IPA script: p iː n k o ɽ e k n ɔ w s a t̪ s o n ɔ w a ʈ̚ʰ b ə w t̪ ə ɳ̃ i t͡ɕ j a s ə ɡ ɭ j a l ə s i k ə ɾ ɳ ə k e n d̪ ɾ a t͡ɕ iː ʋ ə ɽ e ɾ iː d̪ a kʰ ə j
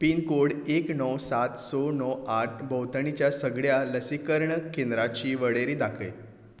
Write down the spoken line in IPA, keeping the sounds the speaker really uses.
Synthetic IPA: p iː n k o ɽ e k n ɔ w s a t̪ s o n ɔ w a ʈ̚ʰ b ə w t̪ ə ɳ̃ i t͡ɕ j a s ə ɡ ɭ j a l ə s i k ə ɾ ɳ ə k e n d̪ ɾ a t͡ɕ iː ʋ ə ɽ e ɾ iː d̪ a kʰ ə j